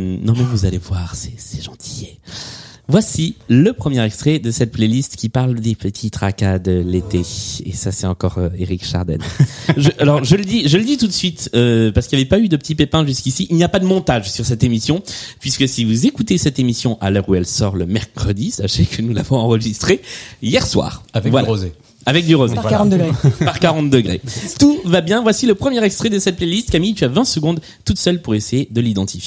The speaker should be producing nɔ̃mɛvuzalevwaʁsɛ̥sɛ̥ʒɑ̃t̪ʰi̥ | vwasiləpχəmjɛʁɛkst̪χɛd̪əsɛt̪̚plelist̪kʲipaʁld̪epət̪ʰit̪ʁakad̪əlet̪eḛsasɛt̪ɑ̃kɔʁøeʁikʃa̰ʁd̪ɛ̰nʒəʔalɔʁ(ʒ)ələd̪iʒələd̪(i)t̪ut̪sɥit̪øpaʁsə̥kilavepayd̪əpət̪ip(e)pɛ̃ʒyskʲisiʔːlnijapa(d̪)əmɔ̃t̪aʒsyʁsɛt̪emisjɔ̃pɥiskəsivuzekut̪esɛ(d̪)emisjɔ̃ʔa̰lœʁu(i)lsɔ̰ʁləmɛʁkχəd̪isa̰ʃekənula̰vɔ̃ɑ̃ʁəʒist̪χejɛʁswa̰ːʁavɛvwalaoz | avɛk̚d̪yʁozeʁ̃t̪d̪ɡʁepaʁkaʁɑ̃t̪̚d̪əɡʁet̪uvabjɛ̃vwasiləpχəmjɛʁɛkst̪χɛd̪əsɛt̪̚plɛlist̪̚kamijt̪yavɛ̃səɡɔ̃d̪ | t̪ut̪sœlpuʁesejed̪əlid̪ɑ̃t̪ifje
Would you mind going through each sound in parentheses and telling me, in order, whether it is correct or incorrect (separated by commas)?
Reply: correct, correct, correct, correct, incorrect, incorrect